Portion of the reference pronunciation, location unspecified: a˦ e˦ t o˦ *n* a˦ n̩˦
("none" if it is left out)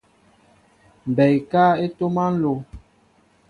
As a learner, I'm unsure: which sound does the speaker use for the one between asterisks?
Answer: m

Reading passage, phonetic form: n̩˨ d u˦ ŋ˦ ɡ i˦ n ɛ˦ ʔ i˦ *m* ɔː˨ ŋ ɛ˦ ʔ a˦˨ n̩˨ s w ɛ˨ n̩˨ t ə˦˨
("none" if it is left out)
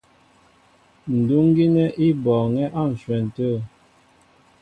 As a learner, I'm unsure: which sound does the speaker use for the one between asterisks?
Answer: b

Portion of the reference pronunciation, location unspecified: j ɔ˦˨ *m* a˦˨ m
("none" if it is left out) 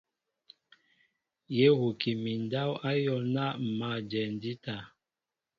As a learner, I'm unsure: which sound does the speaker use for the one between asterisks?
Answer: n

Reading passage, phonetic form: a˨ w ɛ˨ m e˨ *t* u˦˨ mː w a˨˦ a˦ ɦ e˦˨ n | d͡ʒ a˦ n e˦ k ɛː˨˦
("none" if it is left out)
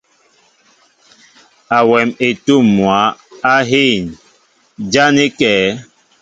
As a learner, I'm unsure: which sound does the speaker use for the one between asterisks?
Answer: t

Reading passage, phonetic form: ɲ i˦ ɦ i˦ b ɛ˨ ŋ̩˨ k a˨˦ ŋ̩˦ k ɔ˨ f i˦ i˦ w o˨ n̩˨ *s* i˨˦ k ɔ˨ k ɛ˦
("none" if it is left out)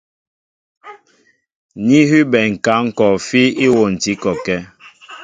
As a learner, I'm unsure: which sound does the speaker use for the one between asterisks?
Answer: t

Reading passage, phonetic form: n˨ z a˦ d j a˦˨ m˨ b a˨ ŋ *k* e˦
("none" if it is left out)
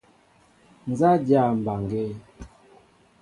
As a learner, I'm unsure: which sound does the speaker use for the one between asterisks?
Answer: ɡ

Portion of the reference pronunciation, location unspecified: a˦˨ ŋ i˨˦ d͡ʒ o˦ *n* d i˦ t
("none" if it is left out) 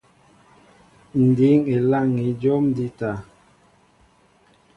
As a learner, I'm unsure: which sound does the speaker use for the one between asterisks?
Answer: m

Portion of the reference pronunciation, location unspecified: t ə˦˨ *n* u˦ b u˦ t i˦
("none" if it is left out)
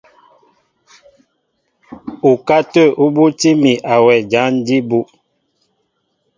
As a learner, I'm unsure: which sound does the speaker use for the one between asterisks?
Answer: none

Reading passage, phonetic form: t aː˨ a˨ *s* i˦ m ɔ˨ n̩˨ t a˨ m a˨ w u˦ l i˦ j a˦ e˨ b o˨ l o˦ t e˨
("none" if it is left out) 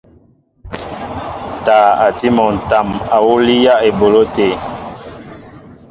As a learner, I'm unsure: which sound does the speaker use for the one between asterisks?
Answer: t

